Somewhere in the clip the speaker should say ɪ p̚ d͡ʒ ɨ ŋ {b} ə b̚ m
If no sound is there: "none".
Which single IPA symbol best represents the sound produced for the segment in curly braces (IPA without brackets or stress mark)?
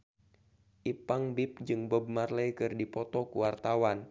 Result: b